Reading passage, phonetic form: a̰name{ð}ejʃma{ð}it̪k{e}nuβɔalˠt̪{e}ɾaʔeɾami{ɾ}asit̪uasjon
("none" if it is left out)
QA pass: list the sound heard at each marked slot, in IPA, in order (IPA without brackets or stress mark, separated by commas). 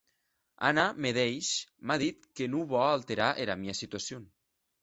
ð, ð, e, e, none